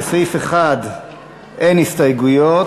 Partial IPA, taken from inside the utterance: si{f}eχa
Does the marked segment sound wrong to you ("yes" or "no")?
no